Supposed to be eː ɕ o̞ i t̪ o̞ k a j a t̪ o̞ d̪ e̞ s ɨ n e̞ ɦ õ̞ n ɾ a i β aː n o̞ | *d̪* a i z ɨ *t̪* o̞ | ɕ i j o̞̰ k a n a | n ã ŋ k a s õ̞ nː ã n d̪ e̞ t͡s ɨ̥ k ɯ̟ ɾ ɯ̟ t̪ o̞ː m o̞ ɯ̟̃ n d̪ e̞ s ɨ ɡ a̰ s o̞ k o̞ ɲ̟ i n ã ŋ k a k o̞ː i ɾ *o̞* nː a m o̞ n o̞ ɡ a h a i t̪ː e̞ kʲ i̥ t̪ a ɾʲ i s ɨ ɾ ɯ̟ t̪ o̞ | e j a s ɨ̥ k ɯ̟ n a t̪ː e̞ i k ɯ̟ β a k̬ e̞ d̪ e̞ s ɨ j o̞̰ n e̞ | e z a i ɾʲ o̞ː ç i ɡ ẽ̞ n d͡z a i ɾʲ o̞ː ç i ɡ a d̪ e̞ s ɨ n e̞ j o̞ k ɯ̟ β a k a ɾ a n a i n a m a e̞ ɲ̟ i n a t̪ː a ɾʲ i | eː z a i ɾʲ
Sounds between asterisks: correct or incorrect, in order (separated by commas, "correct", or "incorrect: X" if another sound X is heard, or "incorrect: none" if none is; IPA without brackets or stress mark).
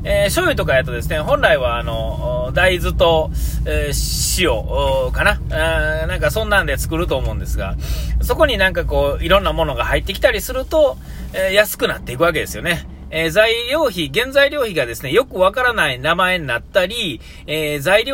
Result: correct, correct, incorrect: õ̞